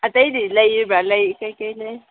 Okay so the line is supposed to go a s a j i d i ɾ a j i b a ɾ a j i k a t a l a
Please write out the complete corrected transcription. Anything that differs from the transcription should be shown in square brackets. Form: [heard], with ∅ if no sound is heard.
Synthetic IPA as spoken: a [t] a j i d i [l] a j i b a [l] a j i k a [k] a l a